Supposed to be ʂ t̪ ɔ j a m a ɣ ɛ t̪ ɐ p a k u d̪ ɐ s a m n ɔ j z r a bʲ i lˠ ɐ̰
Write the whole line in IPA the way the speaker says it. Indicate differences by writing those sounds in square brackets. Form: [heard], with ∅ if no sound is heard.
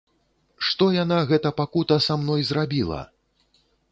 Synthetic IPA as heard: ʂ t̪ ɔ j a [n] a ɣ ɛ t̪ ɐ p a k u [t̪] ɐ s a m n ɔ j z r a bʲ i lˠ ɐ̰